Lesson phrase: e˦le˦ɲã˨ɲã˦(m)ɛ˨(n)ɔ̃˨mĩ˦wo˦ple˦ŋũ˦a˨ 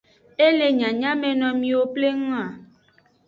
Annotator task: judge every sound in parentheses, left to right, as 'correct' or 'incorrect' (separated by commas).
correct, correct